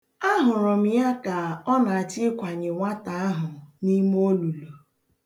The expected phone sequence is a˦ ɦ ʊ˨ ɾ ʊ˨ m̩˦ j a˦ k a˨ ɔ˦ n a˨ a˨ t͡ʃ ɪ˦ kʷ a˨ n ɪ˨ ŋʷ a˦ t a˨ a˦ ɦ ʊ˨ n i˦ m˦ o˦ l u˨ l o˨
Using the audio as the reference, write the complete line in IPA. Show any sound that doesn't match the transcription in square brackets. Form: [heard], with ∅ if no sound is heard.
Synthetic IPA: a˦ ɦ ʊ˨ ɾ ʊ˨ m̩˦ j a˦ k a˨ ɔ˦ n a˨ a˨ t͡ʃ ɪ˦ kʷ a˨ [ɲ] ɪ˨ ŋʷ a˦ t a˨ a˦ ɦ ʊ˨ n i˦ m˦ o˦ l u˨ l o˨